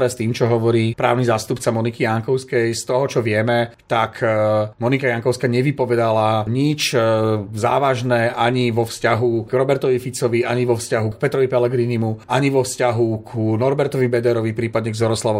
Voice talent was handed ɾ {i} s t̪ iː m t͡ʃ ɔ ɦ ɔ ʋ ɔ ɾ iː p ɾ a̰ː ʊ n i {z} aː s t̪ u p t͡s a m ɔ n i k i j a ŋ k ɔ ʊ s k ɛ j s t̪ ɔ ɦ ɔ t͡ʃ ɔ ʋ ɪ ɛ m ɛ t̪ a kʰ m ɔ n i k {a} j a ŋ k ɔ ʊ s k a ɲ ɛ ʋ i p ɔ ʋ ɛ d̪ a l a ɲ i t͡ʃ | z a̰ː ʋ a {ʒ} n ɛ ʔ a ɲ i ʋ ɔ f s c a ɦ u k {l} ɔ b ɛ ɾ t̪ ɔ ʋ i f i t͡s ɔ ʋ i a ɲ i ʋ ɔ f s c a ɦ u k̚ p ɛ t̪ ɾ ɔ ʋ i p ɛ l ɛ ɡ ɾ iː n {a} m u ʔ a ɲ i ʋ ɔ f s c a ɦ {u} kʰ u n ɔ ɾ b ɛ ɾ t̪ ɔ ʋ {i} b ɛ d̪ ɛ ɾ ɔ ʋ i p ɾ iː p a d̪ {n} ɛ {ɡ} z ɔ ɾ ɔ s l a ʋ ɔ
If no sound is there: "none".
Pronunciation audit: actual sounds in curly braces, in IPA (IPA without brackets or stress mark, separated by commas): ɛ, z, a, ʒ, ɾ, i, u, i, ɲ, ɡ